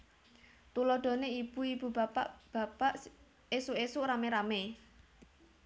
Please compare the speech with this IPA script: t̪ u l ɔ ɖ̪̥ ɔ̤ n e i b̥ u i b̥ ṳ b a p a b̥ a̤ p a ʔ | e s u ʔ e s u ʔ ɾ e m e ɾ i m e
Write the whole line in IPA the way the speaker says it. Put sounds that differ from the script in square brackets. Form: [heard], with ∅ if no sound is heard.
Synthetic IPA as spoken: t̪ u l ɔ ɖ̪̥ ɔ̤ n e i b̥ u i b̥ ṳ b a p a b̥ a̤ p a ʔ | e s u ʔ e s u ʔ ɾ [a] m e ɾ [a] m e